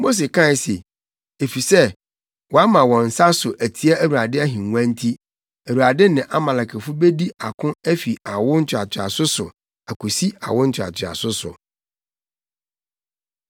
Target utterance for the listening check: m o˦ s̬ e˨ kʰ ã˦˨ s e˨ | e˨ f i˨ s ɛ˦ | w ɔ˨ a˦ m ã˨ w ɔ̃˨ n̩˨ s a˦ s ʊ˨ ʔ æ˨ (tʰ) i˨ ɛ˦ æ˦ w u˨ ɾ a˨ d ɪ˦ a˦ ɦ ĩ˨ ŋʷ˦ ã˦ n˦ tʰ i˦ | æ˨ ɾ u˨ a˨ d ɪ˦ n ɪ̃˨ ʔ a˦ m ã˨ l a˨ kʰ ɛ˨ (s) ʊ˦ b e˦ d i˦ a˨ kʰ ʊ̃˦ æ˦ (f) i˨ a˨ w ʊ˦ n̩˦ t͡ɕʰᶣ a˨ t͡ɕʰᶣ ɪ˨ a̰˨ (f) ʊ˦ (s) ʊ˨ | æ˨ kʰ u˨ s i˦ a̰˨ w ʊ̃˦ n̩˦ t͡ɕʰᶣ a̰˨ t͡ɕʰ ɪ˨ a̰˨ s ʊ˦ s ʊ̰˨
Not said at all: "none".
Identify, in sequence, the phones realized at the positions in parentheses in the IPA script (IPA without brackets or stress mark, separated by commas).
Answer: tʰ, f, f, s, s